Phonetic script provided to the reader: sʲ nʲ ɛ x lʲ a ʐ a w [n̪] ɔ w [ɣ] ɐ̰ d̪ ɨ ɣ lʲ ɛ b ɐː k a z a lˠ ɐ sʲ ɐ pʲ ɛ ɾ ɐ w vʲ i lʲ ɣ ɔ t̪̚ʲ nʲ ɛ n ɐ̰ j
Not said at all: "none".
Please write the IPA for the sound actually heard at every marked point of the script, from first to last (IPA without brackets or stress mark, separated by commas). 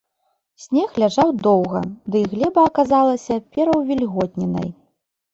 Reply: d̪, ɣ